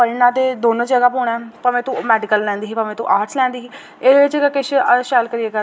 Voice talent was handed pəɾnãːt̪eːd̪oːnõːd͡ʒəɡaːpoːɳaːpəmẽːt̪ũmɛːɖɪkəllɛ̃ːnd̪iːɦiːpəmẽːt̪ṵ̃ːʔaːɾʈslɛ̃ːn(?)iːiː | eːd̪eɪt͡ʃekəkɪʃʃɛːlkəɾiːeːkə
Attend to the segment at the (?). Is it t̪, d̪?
d̪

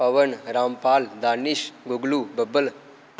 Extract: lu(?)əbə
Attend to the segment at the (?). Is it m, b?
b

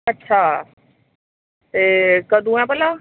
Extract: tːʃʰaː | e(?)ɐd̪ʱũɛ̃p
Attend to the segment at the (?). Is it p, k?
k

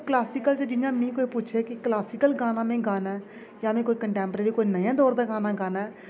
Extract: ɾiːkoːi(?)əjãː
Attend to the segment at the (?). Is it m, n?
n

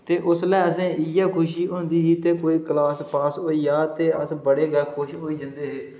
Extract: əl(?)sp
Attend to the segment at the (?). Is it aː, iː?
aː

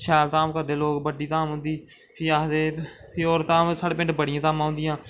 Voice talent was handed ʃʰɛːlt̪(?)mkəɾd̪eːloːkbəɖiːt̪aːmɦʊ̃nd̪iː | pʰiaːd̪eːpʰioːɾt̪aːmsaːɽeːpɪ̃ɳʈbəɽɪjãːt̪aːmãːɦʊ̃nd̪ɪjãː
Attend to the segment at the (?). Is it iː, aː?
aː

